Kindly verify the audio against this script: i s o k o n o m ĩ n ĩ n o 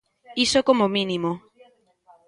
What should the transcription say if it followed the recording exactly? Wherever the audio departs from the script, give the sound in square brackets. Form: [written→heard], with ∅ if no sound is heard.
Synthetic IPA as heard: i s o k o [n→m] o m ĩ n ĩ [n→m] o